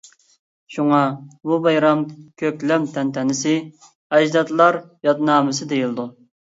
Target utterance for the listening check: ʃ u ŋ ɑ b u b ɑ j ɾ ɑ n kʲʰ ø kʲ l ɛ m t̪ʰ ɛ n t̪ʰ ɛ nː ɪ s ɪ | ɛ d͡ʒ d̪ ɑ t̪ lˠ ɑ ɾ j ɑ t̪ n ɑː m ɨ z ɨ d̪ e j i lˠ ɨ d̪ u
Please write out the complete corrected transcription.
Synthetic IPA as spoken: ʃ u ŋ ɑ b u b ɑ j ɾ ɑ m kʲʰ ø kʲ l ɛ m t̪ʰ ɛ n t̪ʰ ɛ n ɪ s ɪ | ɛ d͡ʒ d̪ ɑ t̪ lˠ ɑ ɾ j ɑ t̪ n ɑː m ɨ s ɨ d̪ e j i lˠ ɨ d̪ u

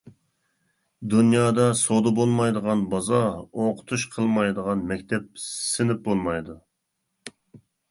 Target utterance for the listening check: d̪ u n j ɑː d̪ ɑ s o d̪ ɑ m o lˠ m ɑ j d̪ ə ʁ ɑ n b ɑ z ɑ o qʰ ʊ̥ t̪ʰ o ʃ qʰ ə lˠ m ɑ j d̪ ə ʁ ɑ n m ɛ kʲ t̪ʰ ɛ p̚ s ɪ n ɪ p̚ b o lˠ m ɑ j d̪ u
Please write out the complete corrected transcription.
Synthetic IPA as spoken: d̪ u n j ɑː d̪ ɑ s o d̪ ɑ b o lˠ m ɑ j d̪ ə ʁ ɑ n b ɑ z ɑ o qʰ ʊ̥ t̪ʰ u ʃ qʰ ə lˠ m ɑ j d̪ ə ʁ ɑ n m ɛ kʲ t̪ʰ ɛ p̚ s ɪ n ɪ p̚ b o lˠ m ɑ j d̪ u

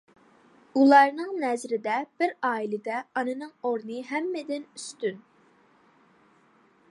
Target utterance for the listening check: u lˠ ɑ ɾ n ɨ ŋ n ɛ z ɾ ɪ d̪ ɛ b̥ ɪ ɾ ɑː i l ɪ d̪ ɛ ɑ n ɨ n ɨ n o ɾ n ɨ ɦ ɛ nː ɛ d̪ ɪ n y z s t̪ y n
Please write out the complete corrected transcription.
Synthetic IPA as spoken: u lˠ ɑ ɾ n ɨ ŋ n ɛ z ɾ ɪ d̪ ɛ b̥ ɪ ɾ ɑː i l ɪ d̪ ɛ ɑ n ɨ n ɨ ŋ o ɾ n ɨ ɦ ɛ mː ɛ d̪ ɪ n y s t̪ y n

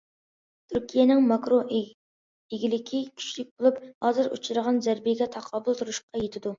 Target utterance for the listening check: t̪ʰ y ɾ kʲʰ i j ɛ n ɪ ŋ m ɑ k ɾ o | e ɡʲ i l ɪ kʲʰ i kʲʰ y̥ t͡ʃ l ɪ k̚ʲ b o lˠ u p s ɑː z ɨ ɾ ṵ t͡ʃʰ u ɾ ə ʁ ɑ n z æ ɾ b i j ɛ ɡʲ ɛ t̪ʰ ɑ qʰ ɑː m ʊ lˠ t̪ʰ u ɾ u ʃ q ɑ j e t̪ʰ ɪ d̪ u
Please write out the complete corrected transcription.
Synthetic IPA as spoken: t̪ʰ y ɾ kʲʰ i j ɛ n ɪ ŋ m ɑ k ɾ o | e ɡʲ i l ɪ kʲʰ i kʲʰ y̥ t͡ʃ l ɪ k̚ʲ b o lˠ u p h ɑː z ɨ ɾ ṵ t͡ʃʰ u ɾ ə ʁ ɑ n z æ ɾ b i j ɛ ɡʲ ɛ t̪ʰ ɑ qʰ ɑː b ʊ lˠ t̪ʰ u ɾ u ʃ q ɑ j e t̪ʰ ɪ d̪ u

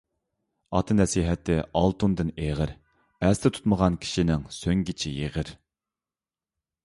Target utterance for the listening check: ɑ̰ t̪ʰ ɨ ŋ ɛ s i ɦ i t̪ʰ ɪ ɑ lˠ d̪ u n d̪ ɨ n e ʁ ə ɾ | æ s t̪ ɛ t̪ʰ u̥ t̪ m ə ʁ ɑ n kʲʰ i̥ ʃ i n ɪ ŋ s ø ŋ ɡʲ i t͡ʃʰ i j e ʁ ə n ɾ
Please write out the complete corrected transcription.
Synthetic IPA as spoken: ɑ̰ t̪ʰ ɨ n ɛ s i ɦ ɛ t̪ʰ ɪ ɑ lˠ t̪ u n d̪ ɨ n e ʁ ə ɾ | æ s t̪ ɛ t̪ʰ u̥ t̪ m ə ʁ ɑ n kʲʰ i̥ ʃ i n ɪ ŋ s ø ŋ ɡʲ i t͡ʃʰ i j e ʁ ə ɾ

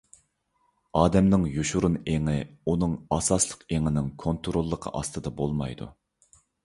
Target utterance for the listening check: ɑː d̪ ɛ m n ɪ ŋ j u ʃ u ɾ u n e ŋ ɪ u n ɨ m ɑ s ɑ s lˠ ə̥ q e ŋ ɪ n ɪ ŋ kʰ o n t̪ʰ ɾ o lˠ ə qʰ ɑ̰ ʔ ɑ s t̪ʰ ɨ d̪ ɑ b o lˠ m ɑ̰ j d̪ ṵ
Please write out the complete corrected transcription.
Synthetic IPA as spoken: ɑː d̪ ɛ m n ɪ ŋ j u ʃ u ɾ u n e ŋ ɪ u n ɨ ŋ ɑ s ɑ s lˠ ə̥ q e ŋ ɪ n ɪ ŋ kʰ o n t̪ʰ ɾ o lˠː ə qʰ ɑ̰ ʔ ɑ s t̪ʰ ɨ d̪ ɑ b o lˠ m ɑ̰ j d̪ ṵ

